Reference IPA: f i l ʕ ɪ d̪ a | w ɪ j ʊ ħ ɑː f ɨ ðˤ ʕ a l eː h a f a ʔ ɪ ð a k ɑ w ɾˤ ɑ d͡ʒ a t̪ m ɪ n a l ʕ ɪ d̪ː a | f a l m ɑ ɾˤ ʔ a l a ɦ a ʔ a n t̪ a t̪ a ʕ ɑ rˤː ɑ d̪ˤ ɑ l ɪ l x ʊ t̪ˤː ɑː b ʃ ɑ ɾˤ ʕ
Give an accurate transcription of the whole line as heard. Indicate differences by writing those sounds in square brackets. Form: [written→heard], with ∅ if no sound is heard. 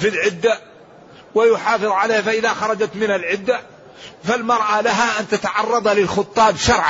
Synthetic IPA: f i l ʕ ɪ [d̪→d̪ː] a | w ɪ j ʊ ħ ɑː f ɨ ðˤ ʕ a l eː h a f a ʔ ɪ ð a [k→x] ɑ [w→∅] ɾˤ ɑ d͡ʒ a t̪ m ɪ n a l ʕ ɪ d̪ː a | f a l m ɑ ɾˤ ʔ a l a ɦ a ʔ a n t̪ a t̪ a ʕ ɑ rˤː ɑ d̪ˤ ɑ l ɪ l x ʊ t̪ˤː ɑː b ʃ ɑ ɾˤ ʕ